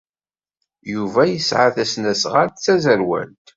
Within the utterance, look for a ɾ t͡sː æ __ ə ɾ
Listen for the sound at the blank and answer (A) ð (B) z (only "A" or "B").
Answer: B